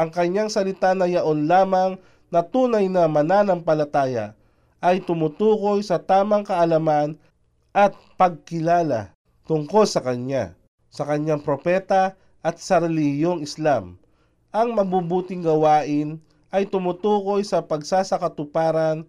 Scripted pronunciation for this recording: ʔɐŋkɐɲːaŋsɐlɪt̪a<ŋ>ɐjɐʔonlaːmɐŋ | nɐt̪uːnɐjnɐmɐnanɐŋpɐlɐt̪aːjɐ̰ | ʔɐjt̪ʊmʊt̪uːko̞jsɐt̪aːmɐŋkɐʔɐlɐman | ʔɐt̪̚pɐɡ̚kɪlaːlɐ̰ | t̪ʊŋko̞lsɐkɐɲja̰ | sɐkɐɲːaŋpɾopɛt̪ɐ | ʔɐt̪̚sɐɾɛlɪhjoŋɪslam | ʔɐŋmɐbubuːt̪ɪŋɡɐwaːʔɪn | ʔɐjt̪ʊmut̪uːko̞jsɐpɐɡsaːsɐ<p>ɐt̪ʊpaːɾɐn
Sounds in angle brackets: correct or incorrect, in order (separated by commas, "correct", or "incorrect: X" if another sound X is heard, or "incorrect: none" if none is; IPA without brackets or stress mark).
incorrect: n, incorrect: k